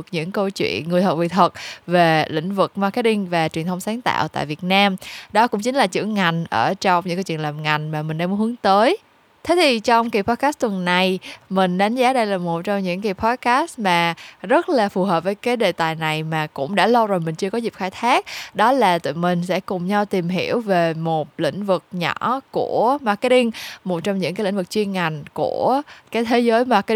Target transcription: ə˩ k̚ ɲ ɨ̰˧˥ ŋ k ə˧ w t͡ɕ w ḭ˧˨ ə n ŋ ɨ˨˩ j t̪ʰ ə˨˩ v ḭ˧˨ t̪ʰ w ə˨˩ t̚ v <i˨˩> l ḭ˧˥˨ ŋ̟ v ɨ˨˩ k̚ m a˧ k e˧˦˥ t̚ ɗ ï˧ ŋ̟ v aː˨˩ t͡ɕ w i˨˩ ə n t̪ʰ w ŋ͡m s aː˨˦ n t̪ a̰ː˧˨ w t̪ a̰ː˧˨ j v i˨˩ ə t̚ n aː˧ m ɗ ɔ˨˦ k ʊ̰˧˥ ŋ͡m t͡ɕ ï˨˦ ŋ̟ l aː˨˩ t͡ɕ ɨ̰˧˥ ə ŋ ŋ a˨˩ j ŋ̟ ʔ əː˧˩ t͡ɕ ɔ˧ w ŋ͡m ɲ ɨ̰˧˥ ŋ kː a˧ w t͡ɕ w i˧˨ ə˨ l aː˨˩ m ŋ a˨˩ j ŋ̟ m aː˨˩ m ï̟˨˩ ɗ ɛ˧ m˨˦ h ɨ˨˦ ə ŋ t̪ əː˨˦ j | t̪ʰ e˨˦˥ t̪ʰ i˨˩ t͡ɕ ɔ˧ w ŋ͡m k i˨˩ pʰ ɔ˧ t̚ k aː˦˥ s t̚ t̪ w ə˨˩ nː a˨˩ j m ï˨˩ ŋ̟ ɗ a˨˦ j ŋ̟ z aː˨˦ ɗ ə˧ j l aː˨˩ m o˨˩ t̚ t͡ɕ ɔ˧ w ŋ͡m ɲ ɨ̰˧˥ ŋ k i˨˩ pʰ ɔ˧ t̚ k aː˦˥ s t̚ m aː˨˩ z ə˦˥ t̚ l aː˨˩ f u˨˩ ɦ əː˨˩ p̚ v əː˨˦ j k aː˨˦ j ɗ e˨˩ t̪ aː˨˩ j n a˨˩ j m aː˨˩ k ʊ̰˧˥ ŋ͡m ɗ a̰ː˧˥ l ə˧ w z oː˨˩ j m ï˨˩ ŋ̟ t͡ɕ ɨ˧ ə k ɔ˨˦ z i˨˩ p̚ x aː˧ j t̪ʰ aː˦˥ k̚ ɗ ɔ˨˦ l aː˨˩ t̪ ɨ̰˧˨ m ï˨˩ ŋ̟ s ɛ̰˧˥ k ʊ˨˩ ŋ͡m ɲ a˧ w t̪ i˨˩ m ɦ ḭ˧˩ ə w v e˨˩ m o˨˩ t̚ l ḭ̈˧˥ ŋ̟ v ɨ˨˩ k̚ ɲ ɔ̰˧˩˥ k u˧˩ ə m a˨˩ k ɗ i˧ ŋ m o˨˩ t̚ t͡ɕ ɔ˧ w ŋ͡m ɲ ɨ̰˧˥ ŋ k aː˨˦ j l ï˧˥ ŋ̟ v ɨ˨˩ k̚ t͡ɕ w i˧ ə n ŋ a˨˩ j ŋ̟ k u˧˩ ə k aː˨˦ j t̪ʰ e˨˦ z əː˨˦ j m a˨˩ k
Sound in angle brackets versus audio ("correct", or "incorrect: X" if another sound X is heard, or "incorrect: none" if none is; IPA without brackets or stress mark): incorrect: e˨˩